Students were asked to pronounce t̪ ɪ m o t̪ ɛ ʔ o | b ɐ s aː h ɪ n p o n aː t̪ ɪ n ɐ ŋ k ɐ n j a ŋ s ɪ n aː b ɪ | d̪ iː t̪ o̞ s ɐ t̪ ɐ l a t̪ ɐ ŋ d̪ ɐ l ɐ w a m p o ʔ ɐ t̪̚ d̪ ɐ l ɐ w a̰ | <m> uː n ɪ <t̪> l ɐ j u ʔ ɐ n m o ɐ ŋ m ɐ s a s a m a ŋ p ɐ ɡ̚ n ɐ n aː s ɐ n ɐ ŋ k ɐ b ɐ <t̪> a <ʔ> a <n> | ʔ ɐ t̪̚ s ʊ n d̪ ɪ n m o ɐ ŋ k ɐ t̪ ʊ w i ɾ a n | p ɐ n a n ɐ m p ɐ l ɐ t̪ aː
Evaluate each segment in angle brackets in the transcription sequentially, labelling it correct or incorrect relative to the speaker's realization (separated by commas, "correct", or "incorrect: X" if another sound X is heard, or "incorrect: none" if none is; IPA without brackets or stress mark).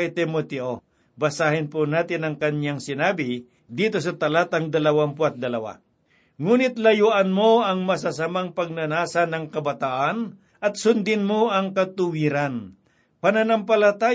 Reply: incorrect: ŋ, correct, correct, correct, correct